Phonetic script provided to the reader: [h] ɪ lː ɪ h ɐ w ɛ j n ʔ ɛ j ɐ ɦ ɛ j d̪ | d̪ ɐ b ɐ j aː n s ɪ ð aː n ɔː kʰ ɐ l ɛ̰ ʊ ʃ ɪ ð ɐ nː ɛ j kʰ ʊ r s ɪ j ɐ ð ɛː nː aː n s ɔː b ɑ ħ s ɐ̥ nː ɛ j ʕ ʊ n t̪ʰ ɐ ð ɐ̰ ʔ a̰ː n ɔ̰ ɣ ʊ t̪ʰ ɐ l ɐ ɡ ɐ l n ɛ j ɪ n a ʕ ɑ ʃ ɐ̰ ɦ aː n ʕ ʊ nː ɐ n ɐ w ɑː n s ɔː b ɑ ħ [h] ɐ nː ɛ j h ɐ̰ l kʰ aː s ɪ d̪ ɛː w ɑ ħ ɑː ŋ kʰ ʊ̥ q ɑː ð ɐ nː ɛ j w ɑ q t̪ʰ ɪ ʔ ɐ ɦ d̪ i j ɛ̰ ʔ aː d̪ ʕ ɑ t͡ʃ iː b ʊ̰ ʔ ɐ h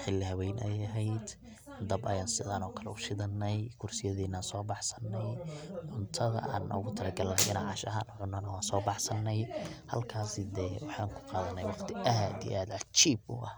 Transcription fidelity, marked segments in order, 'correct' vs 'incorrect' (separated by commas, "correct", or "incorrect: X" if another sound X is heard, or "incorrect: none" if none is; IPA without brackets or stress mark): incorrect: ħ, incorrect: s